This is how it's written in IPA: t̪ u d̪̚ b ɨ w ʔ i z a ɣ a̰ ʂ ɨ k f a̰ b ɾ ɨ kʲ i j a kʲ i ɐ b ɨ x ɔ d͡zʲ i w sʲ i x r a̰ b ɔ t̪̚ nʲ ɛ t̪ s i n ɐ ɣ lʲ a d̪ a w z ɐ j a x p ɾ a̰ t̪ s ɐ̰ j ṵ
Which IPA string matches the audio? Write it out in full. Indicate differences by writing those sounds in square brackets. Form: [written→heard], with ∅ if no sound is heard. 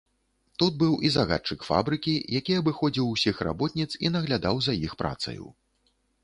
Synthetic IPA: t̪ u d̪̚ b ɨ w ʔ i z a ɣ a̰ [ʂ→t͡ʂ] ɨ k f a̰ b ɾ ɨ kʲ i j a kʲ i ɐ b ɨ x ɔ d͡zʲ i w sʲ i x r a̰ b ɔ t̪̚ nʲ [ɛ→i] t̪ s i n ɐ ɣ lʲ a d̪ a w z ɐ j [a→i] x p ɾ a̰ t̪ s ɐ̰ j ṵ